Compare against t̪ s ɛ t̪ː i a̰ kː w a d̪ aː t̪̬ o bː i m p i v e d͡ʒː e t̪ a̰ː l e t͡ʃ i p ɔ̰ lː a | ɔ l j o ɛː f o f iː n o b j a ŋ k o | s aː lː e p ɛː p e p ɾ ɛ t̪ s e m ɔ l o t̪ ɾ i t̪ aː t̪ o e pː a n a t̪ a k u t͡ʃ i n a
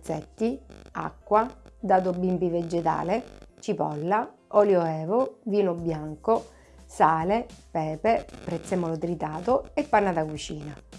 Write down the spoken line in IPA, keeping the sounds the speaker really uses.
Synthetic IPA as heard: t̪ s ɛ t̪ː i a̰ kː w a d̪ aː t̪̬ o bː i m p i v e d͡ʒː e t̪ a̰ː l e t͡ʃ i p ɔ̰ lː a | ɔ l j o ɛː v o v iː n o b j a ŋ k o | s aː l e p ɛː p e p ɾ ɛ t̪ s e m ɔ l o t̪ ɾ i t̪ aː t̪ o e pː a n a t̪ a k u t͡ʃ iː n a

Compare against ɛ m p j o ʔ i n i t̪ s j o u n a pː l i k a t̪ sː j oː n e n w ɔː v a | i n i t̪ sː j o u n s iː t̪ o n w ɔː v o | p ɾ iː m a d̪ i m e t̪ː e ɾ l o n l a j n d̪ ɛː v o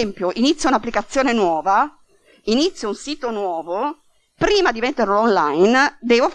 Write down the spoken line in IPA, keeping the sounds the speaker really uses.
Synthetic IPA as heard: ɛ m p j o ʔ i n i t̪ s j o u n a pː l i k a t̪ sː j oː n e n w ɔː v a | i n i t̪ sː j o u n s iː t̪ o n w ɔː v o | p ɾ iː m a d̪ i m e t̪ː e ɾ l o n l a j n d̪ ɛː v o

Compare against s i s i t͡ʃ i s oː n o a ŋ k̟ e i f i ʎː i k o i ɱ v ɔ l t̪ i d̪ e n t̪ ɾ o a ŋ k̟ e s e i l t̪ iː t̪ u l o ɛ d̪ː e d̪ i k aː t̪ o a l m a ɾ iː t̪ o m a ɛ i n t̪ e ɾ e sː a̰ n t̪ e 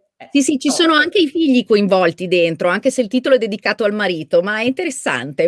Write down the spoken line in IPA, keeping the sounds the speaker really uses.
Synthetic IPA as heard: s i s i t͡ʃ i s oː n o a ŋ k̟ e i f i ʎː i k o i ɱ v ɔ l t̪ i d̪ e n t̪ ɾ o a ŋ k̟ e s e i l t̪ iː t̪ o l o ɛ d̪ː e d̪ i k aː t̪ o a l m a ɾ iː t̪ o m a ɛ i n t̪ e ɾ e sː a̰ n t̪ e

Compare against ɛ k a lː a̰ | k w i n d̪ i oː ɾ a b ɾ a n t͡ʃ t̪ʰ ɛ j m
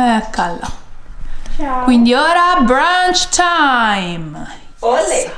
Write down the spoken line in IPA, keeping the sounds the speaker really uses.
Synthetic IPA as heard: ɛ k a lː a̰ | k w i n d̪ i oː ɾ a b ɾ a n t͡ʃ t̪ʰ a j m

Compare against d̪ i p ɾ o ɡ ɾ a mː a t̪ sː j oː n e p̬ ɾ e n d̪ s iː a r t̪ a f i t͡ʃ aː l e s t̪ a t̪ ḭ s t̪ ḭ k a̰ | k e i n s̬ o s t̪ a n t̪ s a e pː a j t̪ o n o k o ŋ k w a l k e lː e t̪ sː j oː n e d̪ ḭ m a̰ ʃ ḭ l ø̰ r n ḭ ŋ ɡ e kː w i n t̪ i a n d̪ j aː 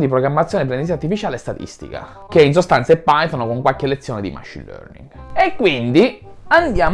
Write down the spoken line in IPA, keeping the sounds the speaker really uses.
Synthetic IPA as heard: d̪ i p ɾ o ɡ ɾ a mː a t̪ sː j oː n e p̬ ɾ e n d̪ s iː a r t̪ i f i t͡ʃ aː l e s t̪ a t̪ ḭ s t̪ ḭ k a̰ | k e i n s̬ o s t̪ a n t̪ s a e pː a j t̪ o n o k o ŋ k w a l k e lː e t̪ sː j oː n e d̪ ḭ m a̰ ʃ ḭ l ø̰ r n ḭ ŋ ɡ e kː w i n d̪ i a n d̪ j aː

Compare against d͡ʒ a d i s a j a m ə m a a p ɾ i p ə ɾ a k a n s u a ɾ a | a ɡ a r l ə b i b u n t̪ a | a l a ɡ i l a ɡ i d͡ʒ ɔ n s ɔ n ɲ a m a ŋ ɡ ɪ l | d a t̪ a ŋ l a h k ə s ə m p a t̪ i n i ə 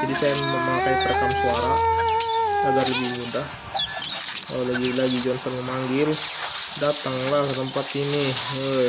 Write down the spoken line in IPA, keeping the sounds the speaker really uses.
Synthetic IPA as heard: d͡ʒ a d i s a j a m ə m a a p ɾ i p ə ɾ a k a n s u a ɾ a | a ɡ a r l ə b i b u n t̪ a | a l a ɡ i l a ɡ i d͡ʒ ɔ n s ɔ n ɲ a m a ŋ ɡ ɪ l | d a t̪ a ŋ l a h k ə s ə m p a t̪ i n i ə

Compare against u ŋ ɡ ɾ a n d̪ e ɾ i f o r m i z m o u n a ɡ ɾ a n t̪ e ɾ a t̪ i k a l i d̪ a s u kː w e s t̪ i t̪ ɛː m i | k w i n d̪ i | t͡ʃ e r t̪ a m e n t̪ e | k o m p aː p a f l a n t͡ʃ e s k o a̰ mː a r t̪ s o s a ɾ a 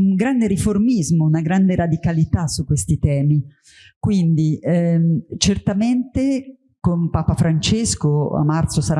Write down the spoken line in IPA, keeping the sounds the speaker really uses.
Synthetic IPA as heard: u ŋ ɡ ɾ a n d̪ e ɾ i f o r m i z m o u n a ɡ ɾ a n d̪ e ɾ a d̪ i k a l i t̪ a s u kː w e s t̪ i t̪ ɛː m i | k w i n d̪ i | t͡ʃ e r t̪ a m e n t̪ e | k o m p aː p a f ɾ a n t͡ʃ e s k o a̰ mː a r t̪ s o s a ɾ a

